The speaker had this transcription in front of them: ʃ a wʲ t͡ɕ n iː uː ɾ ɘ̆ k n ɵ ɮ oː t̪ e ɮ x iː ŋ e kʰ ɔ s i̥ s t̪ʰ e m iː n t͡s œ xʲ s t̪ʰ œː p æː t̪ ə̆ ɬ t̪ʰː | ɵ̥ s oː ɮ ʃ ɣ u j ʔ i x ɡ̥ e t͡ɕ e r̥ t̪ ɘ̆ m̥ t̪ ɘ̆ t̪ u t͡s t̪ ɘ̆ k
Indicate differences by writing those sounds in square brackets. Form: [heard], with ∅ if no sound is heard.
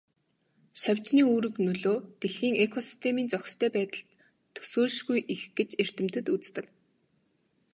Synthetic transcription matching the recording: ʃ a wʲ t͡ɕ n iː uː ɾ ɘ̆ k n ɵ ɮ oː t̪ e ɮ x iː ŋ e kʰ ɔ s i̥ s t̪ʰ e m iː n t͡s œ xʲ s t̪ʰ œː p æː t̪ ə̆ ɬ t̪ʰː | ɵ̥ s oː ɮ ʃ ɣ u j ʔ i x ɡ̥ e t͡ɕ e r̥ t̪ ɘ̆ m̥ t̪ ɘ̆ t̪ u t͡s t̪ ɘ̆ k